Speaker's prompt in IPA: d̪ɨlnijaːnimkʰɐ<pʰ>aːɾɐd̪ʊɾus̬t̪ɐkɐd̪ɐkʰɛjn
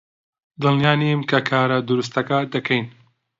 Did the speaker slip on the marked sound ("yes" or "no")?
yes